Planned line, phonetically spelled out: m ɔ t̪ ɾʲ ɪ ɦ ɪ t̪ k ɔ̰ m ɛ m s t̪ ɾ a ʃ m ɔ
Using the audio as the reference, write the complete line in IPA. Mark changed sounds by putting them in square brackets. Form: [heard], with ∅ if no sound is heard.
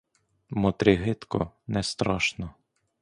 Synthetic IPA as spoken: m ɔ t̪ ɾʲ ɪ ɦ ɪ t̪ k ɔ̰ [n] ɛ [∅] s t̪ ɾ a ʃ [n] ɔ

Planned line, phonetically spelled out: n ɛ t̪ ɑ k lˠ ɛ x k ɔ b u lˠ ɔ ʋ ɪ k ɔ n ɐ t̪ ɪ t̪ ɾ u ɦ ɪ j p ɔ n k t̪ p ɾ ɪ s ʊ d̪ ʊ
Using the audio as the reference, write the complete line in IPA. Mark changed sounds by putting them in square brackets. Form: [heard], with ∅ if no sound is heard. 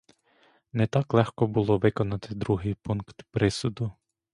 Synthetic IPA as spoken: n ɛ t̪ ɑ k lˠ ɛ x k ɔ b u lˠ ɔ ʋ ɪ k ɔ n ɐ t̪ ɪ [d̪] ɾ u ɦ ɪ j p [u] n k t̪ p ɾ ɪ s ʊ d̪ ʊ

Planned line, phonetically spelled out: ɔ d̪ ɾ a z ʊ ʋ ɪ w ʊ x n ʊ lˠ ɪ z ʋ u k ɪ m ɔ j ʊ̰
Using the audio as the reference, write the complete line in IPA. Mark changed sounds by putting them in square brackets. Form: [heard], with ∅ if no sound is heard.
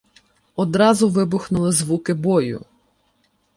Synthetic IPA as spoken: ɔ d̪ ɾ [ɑ] z ʊ ʋ ɪ [b] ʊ x n ʊ lˠ ɪ z ʋ u k ɪ [b] ɔ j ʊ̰

